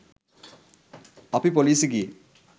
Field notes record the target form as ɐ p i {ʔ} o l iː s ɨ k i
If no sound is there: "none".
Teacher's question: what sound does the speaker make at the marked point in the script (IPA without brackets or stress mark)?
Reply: p